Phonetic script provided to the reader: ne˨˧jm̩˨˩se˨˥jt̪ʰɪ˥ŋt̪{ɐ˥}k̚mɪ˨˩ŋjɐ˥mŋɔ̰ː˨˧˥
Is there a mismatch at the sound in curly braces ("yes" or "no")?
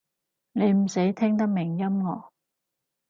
no